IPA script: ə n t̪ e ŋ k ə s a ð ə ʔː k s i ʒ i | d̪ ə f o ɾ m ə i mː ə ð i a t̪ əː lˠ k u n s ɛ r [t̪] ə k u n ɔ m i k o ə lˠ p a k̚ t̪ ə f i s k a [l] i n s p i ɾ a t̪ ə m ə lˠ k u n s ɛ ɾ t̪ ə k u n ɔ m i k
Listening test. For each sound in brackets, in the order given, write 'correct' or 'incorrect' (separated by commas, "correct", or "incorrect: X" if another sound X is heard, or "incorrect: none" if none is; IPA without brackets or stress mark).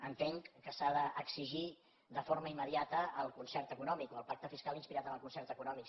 correct, correct